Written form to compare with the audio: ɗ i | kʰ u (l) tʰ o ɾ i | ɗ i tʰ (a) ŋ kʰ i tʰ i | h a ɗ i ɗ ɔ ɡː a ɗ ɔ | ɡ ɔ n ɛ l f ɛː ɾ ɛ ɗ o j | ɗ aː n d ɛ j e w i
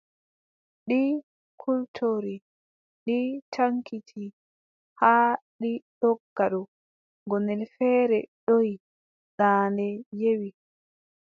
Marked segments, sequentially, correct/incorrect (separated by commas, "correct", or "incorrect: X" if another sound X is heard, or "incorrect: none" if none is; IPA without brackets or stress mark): correct, correct